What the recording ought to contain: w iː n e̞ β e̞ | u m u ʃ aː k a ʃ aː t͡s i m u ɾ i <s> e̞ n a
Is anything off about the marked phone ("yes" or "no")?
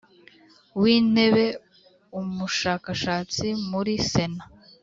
no